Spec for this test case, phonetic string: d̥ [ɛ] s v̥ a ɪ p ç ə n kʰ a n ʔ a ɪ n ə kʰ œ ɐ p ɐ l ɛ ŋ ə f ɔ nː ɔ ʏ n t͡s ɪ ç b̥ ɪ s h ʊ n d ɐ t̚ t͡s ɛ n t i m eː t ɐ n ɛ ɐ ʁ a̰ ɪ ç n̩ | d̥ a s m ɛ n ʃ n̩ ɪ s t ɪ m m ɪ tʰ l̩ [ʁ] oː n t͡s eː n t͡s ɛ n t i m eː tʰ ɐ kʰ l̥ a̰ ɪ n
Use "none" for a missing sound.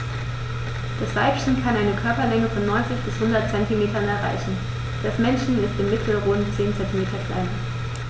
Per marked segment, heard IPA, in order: a, ʁ

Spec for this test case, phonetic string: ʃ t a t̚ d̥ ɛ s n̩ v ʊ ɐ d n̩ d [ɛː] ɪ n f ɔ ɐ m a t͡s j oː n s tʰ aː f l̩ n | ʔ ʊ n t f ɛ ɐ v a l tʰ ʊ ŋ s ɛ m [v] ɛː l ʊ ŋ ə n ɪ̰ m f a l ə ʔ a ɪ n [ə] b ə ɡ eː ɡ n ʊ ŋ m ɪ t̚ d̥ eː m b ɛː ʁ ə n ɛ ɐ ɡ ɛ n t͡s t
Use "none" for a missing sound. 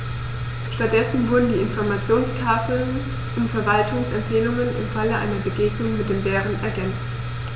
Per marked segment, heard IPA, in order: iː, f, ɐ

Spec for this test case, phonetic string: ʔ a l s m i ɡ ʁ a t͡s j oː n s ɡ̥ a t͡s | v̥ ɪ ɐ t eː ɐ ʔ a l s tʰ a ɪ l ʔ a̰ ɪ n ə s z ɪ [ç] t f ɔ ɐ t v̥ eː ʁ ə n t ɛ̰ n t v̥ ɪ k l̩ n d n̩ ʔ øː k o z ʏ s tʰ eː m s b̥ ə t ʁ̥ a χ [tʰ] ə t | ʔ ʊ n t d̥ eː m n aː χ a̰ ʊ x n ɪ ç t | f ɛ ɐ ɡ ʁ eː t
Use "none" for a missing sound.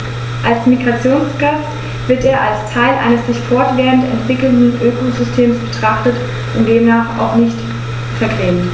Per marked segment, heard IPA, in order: ç, t

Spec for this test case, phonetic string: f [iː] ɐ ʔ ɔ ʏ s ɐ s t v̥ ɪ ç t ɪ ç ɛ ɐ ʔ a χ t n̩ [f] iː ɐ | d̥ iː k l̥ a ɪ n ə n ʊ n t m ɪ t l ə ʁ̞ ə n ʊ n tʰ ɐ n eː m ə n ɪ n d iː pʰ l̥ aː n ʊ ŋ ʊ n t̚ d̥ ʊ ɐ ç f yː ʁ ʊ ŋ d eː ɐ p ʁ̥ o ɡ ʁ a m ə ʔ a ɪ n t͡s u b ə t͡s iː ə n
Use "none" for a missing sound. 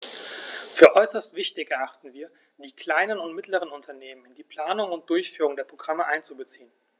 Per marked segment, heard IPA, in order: yː, v

